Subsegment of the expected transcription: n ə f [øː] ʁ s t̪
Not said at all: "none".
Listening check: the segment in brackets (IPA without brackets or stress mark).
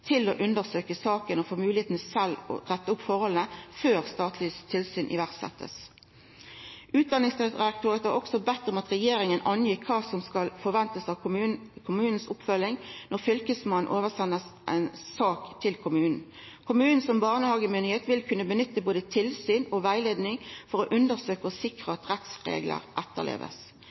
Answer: øː